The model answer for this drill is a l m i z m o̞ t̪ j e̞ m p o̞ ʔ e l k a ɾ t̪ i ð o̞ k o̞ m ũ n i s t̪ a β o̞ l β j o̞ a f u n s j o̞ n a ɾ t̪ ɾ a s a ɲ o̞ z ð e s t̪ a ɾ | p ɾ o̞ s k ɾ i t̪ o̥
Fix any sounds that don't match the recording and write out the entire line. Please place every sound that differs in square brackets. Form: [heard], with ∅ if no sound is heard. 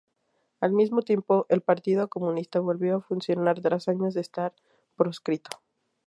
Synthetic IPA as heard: a l m i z m o̞ t̪ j e̞ m p o̞ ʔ e l [p] a ɾ t̪ i ð o̞ k o̞ m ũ n i s t̪ a β o̞ l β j o̞ a f u n s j o̞ n a ɾ t̪ ɾ a s a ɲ o̞ z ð e s t̪ a ɾ | p ɾ o̞ s k ɾ i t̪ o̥